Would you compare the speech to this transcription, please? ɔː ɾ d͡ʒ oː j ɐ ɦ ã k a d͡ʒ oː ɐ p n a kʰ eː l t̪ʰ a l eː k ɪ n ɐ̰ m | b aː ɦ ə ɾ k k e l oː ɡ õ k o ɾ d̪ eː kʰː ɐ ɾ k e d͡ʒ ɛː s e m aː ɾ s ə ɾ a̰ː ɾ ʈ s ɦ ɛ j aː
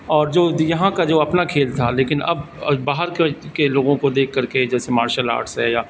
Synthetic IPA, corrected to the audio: ɔː ɾ d͡ʒ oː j ɐ ɦ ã k a d͡ʒ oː ɐ p n a kʰ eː l t̪ʰ a l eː k ɪ n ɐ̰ b | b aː ɦ ə ɾ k k e l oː ɡ õ k o d̪ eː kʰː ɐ ɾ k e d͡ʒ ɛː s e m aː ɾ ʃ ə l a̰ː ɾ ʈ s ɦ ɛ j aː

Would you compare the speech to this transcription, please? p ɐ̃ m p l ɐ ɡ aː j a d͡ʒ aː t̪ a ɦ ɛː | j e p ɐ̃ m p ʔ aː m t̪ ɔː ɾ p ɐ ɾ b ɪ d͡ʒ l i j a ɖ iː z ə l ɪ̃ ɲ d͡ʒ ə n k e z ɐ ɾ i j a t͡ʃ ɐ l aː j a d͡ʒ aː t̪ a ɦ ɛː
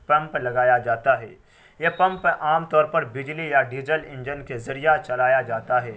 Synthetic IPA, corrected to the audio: p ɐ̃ m p l ɐ ɡ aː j a d͡ʒ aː t̪ a ɦ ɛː | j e p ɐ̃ m p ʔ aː m t̪ ɔː ɾ p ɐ ɾ b ɪ d͡ʒ l i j a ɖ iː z ə l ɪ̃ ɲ d͡ʒ ə n k e z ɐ ɾ i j a t͡ʃ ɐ l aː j a d͡ʒ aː t̪ a ɦ ɛː

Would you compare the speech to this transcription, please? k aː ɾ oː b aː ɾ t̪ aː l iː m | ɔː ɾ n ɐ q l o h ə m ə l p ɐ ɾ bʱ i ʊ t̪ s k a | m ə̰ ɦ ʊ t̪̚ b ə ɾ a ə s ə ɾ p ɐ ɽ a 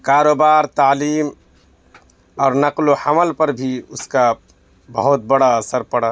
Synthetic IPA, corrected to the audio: k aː ɾ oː b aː ɾ t̪ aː l iː m | ɔː ɾ n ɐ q l o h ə m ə l p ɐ ɾ bʱ i ʊ s k a | b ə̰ ɦ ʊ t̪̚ b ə ɽ a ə s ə ɾ p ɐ ɽ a

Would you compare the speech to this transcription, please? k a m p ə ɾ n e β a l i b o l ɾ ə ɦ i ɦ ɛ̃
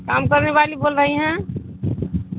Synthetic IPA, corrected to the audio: k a m k ə ɾ n e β a l i b o l ɾ ə ɦ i ɦ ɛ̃

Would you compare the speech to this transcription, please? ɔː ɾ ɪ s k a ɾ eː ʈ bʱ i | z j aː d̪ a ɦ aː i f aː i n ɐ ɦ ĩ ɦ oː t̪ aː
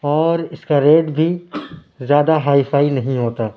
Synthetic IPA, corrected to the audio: ɔː ɾ ɪ s k a ɾ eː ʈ bʱ i | z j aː d̪ a ɦ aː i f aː i n ɐ ɦ ĩ ɦ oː t̪ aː

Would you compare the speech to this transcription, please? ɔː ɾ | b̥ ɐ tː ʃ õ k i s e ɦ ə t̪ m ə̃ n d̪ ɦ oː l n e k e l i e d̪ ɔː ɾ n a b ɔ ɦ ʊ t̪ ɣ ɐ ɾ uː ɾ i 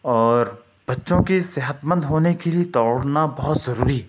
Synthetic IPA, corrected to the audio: ɔː ɾ | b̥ ɐ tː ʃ õ k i s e ɦ ə t̪ m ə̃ n d̪ ɦ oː n e k e l i e t̪ ɔː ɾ n a b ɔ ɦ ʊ t̪ z ɐ ɾ uː ɾ i

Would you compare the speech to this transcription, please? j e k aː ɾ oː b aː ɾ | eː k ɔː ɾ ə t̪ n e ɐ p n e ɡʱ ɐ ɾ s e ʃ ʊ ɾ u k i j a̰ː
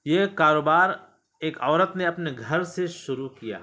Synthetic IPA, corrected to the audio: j e k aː ɾ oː b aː ɾ | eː k ɔː ɾ ə t̪ n e ɐ p n e ɡʱ ɐ ɾ s e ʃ ʊ ɾ u k i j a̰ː

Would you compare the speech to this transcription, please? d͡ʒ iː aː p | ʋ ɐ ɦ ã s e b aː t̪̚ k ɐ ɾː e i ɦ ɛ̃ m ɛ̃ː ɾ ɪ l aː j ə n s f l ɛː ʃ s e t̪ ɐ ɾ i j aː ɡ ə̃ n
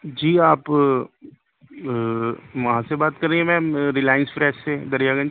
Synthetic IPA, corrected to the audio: d͡ʒ iː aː p | ʋ ɐ ɦ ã s e b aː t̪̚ k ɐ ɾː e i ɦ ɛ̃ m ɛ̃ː ɾ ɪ l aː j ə n s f ɾ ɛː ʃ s e d̪ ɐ ɾ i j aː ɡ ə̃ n

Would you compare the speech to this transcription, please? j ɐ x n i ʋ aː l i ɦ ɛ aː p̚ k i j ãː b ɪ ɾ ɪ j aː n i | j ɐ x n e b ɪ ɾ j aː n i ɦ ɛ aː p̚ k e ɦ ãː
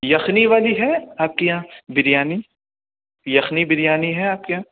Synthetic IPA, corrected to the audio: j ɐ x n i ʋ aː l i ɦ ɛ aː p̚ k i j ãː b ɪ ɾ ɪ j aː n i | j ɐ x n i b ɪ ɾ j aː n i ɦ ɛ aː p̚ k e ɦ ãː

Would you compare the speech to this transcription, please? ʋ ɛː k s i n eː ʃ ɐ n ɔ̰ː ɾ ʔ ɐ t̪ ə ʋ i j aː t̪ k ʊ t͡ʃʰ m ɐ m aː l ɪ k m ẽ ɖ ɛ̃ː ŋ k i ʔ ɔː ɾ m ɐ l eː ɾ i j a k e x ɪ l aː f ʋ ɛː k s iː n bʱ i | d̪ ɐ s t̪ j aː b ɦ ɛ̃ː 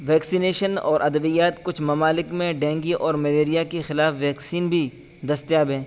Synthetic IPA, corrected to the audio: ʋ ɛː k s i n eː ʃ ə n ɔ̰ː ɾ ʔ ɐ d̪ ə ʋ i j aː t̪ k ʊ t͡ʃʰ m ɐ m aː l ɪ k m ẽ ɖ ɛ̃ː ŋ ɡ i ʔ ɔː ɾ m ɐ l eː ɾ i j a k e x ɪ l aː f ʋ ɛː k s iː n bʱ i | d̪ ɐ s t̪ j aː b ɦ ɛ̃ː

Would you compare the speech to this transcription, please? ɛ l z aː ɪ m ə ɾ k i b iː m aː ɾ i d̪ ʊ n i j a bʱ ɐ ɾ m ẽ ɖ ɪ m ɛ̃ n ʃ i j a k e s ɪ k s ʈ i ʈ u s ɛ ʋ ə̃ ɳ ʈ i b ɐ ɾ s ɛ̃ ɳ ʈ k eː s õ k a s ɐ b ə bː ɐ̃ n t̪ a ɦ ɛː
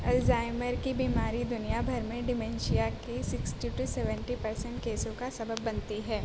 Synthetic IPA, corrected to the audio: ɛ l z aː ɪ m ə ɾ k i b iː m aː ɾ i d̪ ʊ n i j a bʱ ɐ ɾ m ẽ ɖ ɪ m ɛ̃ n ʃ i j a k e s ɪ k s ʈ i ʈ u s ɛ ʋ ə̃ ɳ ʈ i p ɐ ɾ s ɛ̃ ɳ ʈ k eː s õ k a s ɐ b ə bː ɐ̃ n t̪ i ɦ ɛː

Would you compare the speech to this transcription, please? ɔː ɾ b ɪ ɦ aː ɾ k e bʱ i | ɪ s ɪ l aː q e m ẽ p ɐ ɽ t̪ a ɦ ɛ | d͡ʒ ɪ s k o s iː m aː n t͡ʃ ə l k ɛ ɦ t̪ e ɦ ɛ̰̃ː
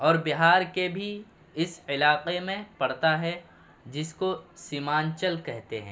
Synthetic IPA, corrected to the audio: ɔː ɾ b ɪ ɦ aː ɾ k e bʱ i | ɪ s ɪ l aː q e m ẽ p ɐ ɽ t̪ a ɦ ɛ | d͡ʒ ɪ s k o s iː m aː n t͡ʃ ə l k ɛ ɦ t̪ e ɦ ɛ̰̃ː

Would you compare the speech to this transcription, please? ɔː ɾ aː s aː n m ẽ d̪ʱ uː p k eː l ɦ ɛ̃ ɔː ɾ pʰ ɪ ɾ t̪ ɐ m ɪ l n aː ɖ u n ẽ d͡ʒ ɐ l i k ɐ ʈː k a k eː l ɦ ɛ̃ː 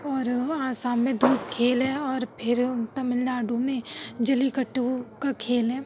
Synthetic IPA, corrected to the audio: ɔː ɾ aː s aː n m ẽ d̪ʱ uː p kʰ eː l ɦ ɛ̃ ɔː ɾ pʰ ɪ ɾ t̪ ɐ m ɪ l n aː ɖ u m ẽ d͡ʒ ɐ l i k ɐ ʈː k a kʰ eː l ɦ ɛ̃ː

